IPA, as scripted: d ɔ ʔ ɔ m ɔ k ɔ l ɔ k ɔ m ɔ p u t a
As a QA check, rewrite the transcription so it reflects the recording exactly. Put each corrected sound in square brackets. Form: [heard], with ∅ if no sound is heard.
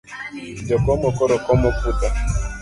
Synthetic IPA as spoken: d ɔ [k] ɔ m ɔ k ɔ [ɾ] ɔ k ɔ m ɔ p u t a

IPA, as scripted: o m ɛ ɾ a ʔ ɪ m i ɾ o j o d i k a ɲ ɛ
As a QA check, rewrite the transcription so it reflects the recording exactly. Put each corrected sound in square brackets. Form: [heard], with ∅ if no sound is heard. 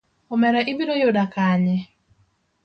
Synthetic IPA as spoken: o m ɛ ɾ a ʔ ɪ [b] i ɾ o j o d [a] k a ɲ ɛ

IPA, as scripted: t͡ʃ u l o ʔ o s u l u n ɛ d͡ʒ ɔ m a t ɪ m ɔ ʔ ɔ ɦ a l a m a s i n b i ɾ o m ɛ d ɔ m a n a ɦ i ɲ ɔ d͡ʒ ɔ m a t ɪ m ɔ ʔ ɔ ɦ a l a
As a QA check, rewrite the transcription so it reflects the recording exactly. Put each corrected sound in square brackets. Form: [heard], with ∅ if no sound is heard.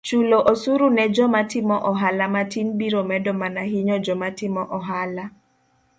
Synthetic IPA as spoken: t͡ʃ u l o ʔ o s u [ɾ] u n ɛ d͡ʒ ɔ m a t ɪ m ɔ ʔ ɔ ɦ a l a m a [t] i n b i ɾ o m ɛ d ɔ m a n a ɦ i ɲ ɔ d͡ʒ ɔ m a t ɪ m ɔ ʔ ɔ ɦ a l a

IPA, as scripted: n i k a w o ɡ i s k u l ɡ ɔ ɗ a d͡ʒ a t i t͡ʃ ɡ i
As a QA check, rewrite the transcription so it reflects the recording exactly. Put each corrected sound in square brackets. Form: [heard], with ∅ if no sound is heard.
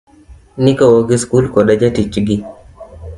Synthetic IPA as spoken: n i k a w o ɡ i s k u l [k] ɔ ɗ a d͡ʒ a t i t͡ʃ ɡ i

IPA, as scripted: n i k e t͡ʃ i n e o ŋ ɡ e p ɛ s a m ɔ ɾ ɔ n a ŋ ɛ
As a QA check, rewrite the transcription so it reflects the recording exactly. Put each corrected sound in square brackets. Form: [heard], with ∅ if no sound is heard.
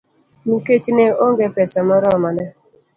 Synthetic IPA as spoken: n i k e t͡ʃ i n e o ŋ ɡ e p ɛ s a m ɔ ɾ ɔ [m] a [n] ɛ

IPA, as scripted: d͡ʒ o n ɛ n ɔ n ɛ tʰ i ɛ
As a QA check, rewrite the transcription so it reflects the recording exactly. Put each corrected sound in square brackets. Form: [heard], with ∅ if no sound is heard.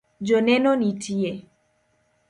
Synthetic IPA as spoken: d͡ʒ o n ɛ n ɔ n [i] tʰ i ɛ

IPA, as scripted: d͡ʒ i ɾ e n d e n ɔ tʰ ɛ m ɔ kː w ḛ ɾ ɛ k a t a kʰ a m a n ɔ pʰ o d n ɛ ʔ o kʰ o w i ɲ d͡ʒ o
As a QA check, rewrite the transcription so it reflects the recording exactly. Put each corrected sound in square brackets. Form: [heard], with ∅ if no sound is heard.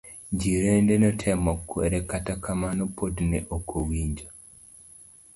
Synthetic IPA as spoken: d͡ʒ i ɾ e n d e n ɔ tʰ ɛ m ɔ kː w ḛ ɾ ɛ k a t a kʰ a m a n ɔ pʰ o d n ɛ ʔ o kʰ o w i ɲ d͡ʒ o

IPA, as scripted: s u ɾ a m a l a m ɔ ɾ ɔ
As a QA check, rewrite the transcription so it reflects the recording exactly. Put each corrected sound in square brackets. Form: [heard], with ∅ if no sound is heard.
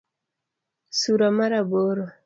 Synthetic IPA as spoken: s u ɾ a m a [ɾ] a [b] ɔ ɾ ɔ

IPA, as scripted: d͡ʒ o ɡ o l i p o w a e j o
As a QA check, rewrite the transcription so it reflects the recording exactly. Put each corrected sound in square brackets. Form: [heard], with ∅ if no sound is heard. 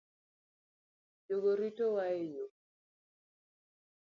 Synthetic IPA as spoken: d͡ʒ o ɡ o [ɾ] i [t] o w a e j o

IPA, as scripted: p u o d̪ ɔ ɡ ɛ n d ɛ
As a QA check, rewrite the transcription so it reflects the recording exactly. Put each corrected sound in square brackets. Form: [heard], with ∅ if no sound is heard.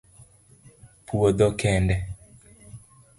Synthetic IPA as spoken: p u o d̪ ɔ [k] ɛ n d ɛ

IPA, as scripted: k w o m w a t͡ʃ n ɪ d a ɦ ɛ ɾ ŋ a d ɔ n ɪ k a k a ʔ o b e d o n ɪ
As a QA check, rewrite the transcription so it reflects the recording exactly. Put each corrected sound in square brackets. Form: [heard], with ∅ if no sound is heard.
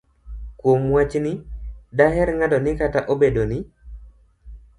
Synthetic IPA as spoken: k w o m w a t͡ʃ n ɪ d a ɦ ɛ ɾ ŋ a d ɔ n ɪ k a [t] a ʔ o b e d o n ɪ

